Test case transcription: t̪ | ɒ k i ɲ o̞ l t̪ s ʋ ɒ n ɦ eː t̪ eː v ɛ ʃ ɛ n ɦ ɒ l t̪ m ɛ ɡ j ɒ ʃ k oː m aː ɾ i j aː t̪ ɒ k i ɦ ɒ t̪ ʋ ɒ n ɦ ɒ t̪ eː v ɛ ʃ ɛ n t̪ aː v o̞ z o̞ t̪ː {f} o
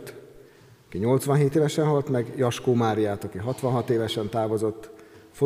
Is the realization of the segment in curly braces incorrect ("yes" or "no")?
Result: no